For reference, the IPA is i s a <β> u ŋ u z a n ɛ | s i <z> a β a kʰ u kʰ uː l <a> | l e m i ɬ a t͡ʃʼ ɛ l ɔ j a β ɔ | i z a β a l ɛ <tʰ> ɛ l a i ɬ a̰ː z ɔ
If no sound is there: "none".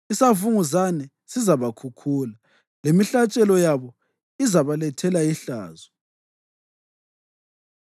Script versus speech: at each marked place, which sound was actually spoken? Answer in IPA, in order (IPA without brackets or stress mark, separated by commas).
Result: v, z, a, tʰ